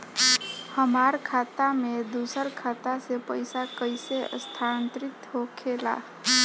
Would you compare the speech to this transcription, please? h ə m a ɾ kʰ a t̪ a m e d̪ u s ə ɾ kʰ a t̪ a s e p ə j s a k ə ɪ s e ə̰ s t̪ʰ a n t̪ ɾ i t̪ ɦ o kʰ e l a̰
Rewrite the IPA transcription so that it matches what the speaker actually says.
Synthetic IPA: h ə m a ɾ kʰ a t̪ a m e d̪ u s ə ɾ kʰ a t̪ a s e p ə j s a k ə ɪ s e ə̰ s t̪ʰ a n t̪ ɾ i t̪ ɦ o kʰ e l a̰